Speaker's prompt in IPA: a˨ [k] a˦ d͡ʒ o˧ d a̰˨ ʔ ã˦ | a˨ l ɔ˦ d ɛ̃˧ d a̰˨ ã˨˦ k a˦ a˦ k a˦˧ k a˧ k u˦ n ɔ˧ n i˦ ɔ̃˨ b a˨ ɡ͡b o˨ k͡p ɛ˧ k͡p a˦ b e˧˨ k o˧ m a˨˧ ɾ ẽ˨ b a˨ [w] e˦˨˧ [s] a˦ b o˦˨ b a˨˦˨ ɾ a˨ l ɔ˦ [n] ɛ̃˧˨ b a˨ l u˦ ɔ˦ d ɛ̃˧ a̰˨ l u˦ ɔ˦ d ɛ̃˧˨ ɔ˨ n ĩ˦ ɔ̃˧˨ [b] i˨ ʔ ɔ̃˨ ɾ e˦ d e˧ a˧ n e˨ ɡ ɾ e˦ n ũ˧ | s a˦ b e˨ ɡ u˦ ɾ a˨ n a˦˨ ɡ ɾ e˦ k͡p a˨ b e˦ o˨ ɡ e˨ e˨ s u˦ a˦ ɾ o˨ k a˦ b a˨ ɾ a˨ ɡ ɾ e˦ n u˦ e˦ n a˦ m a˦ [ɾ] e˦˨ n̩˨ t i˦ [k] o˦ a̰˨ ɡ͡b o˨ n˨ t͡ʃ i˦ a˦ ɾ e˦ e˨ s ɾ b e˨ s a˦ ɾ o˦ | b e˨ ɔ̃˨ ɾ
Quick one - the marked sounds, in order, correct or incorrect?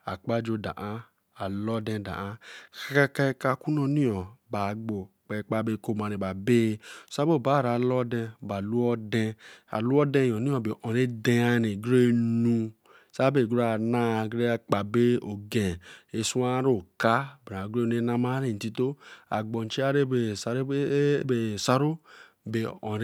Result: incorrect: k͡p, incorrect: b, correct, incorrect: d, correct, correct, incorrect: t

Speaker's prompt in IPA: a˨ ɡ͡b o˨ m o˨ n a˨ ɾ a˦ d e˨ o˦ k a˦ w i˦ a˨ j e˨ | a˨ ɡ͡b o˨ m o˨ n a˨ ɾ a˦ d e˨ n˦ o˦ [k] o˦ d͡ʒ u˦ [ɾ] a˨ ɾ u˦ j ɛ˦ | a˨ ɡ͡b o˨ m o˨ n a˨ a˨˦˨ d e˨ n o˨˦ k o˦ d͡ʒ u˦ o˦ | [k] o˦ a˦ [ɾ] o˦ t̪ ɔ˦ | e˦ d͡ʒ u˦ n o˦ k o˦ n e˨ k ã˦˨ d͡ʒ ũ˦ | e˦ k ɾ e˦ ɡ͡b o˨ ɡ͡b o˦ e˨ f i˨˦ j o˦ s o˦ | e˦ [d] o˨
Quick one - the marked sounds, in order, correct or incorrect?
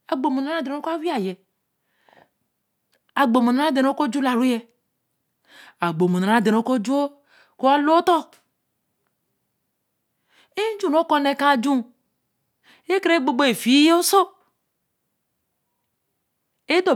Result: correct, incorrect: l, correct, incorrect: l, correct

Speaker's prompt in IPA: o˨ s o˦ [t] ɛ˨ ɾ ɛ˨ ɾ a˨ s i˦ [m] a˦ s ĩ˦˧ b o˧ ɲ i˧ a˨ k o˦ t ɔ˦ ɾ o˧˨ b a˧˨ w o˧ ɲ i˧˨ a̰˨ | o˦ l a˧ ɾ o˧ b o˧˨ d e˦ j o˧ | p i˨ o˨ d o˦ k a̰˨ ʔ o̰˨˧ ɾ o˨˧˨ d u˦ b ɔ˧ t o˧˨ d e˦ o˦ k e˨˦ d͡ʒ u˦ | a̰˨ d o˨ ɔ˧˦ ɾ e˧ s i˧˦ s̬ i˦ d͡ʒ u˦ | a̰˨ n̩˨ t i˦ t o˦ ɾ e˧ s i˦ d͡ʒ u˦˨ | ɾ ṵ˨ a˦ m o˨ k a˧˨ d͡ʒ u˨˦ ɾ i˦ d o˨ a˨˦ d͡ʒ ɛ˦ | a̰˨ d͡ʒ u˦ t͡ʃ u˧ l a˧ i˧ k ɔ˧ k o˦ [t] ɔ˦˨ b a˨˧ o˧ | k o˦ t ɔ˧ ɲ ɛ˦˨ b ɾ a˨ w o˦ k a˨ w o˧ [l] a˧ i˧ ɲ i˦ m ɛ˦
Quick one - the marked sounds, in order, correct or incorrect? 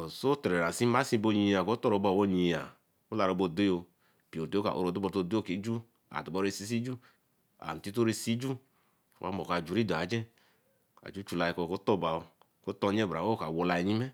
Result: correct, correct, correct, correct

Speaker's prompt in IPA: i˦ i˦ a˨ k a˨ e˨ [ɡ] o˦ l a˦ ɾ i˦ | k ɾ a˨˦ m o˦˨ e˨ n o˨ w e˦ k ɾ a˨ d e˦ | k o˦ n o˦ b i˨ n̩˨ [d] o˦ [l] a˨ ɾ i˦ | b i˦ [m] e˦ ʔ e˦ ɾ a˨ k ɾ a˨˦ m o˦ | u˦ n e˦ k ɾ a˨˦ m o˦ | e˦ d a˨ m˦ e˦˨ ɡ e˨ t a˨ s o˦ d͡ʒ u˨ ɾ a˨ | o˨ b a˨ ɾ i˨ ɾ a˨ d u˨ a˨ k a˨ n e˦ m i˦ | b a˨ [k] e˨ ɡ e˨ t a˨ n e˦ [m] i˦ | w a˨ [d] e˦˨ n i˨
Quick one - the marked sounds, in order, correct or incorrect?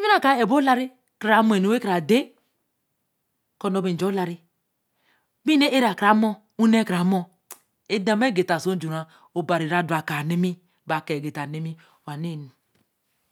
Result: incorrect: b, incorrect: d͡ʒ, correct, incorrect: n, correct, correct, incorrect: n

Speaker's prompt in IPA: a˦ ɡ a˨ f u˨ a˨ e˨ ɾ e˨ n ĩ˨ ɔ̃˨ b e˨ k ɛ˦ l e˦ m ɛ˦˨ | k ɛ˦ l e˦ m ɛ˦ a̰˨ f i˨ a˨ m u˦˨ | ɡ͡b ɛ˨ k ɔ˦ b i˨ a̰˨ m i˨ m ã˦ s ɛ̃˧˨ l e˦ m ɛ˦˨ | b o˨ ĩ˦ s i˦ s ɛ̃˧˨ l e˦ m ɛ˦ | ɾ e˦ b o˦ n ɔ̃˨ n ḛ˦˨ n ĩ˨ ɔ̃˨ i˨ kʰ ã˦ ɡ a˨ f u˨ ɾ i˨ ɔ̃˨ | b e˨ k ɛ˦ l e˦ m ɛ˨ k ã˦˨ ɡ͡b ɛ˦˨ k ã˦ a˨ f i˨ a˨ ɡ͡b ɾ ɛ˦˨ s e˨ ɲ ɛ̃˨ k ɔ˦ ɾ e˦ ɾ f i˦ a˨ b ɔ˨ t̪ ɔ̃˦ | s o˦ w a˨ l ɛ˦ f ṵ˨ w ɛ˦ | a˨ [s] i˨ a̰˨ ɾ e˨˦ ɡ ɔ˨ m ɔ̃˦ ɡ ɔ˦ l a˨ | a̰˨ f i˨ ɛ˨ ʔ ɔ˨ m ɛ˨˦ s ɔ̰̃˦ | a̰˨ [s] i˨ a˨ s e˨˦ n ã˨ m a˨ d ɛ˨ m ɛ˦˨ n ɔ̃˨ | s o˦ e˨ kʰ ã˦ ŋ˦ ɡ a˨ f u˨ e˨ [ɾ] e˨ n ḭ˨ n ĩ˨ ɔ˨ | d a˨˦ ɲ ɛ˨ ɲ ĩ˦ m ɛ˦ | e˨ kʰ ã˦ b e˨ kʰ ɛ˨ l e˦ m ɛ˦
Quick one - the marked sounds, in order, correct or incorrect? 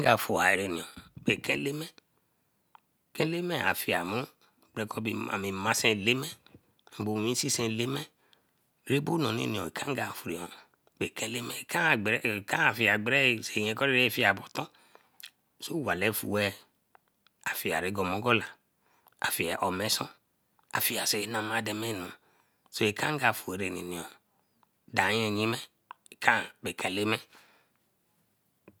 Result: incorrect: f, incorrect: f, correct

